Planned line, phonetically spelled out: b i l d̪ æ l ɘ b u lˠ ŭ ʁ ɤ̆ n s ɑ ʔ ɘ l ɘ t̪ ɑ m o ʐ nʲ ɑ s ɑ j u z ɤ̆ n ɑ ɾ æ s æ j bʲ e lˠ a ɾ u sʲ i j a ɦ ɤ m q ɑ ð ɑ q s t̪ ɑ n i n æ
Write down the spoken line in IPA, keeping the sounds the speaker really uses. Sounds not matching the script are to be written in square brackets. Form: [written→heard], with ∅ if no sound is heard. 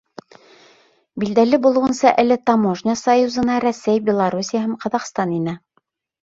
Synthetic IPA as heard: b i l d̪ æ l ɘ b u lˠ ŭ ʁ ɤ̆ n s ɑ ʔ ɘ l ɘ t̪ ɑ m o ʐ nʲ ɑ s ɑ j u z ɤ̆ n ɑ ɾ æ s æ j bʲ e lˠ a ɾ u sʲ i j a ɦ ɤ m q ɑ ð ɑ q s t̪ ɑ n i n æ